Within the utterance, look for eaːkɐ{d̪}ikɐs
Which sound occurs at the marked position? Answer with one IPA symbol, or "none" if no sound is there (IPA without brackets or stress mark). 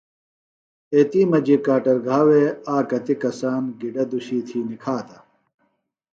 t̪